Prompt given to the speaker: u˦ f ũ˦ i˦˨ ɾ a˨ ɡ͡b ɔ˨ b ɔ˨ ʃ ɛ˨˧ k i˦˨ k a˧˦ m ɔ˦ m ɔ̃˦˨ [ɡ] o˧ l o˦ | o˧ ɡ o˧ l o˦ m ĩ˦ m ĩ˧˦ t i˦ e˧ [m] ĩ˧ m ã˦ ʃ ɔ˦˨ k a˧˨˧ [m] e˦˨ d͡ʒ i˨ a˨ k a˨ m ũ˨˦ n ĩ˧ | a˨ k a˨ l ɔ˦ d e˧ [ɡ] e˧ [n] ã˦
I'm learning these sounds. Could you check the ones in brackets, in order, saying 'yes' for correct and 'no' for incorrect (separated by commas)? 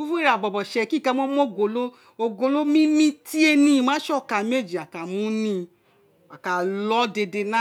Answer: yes, no, yes, no, yes